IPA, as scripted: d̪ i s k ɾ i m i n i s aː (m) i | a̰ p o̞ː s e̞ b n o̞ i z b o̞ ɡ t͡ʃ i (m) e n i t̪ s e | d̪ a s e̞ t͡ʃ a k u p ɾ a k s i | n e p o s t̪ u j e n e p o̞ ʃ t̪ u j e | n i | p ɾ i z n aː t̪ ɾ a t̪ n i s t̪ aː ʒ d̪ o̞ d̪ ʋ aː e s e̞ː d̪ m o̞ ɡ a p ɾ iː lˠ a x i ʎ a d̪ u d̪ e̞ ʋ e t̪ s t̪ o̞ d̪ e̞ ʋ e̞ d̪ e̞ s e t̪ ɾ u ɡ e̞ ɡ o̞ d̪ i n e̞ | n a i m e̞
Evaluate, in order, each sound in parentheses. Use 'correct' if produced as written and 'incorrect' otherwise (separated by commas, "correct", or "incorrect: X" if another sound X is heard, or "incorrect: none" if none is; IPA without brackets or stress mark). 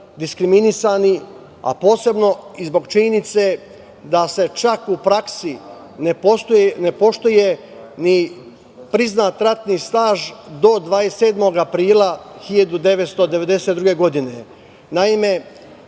incorrect: n, incorrect: ɲ